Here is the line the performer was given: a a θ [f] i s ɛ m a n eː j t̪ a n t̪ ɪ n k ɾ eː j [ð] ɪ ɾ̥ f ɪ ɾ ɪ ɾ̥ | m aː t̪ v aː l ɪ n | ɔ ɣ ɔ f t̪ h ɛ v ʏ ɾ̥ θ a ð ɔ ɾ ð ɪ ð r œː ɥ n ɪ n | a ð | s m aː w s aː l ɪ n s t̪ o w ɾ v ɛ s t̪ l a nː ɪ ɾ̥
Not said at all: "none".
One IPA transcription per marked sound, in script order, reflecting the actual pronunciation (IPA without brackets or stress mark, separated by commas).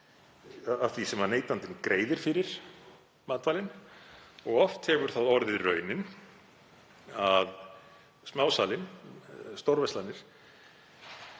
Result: v, ð